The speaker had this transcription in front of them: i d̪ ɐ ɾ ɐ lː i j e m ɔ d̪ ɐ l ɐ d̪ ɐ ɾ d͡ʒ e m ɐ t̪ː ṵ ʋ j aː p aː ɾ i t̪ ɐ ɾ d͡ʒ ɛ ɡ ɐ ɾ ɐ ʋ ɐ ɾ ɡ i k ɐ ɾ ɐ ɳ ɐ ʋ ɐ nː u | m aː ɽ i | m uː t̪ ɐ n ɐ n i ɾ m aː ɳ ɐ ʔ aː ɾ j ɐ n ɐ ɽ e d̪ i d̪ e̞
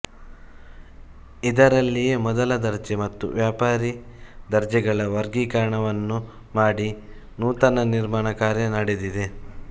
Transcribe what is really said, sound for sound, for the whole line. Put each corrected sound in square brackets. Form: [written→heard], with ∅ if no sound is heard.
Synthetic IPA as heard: i d̪ ɐ ɾ ɐ lː i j e m ɔ d̪ ɐ l ɐ d̪ ɐ ɾ d͡ʒ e m ɐ t̪ː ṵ ʋ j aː p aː ɾ i [t̪→d̪] ɐ ɾ d͡ʒ ɛ ɡ ɐ [ɾ→ɭ] ɐ ʋ ɐ ɾ ɡ i k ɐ ɾ ɐ ɳ ɐ ʋ ɐ nː u | m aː ɽ i | [m→n] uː t̪ ɐ n ɐ n i ɾ m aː ɳ ɐ [ʔ→k] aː ɾ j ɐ n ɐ ɽ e d̪ i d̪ e̞